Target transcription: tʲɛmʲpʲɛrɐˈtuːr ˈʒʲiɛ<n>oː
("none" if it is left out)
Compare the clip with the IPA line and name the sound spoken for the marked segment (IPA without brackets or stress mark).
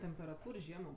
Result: m